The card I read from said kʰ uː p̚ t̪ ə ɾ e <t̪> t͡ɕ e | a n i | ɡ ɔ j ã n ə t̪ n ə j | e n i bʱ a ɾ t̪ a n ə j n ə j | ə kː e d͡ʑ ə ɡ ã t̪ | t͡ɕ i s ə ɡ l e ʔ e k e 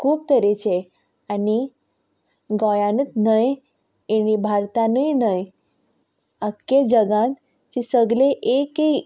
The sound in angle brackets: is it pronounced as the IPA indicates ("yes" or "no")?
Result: no